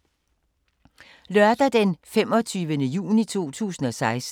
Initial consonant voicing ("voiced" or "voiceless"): voiced